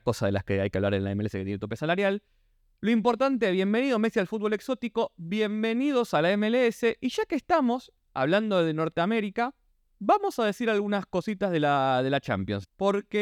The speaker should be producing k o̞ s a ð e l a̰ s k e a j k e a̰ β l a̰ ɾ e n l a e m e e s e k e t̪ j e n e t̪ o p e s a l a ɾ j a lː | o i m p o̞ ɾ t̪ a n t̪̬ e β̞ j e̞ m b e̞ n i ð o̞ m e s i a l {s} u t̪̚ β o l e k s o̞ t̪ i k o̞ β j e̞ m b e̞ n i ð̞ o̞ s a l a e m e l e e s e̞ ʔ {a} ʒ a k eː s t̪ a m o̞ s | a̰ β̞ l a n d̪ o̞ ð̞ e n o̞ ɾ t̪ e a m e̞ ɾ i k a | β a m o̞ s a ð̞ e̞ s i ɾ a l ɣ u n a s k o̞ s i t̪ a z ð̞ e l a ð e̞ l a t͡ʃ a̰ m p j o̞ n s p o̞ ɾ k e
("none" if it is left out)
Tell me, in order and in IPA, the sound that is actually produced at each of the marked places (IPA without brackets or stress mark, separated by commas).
f, i